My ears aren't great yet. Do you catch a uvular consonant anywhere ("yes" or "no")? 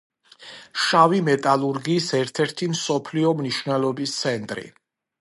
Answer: no